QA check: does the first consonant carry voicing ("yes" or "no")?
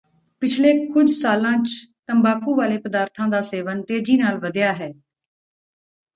no